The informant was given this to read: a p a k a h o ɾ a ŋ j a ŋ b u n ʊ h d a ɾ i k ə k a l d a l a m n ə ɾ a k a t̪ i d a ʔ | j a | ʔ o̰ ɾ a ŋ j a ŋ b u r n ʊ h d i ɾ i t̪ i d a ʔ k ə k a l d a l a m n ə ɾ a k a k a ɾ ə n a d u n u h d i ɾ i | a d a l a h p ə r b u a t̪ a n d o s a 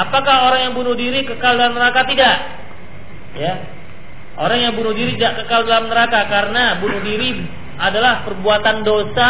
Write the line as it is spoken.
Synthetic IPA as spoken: a p a k a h o ɾ a ŋ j a ŋ b u n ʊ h d i ɾ i k ə k a l d a l a m n ə ɾ a k a t̪ i d a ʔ | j a | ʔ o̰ ɾ a ŋ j a ŋ b u n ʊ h d i ɾ i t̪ i d a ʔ k ə k a l d a l a m n ə ɾ a k a k a ɾ ə n a b u n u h d i ɾ i | a d a l a h p ə r b u a t̪ a n d o s a